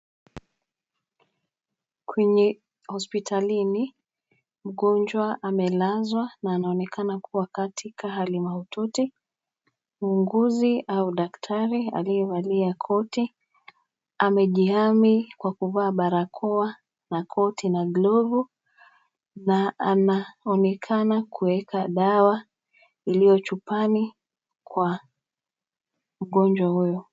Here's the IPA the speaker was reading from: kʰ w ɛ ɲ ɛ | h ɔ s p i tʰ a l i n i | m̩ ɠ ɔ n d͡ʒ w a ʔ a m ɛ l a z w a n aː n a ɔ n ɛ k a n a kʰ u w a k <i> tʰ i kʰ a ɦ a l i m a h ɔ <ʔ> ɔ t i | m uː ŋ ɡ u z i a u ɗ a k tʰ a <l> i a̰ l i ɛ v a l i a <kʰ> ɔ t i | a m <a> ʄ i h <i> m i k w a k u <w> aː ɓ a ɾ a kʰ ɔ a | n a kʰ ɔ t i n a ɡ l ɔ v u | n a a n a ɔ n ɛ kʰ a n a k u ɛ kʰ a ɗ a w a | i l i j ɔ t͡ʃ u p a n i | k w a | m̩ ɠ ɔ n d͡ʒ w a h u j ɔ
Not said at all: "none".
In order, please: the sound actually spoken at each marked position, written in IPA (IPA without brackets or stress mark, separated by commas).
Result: a, t, ɾ, kʰ, ɛ, a, v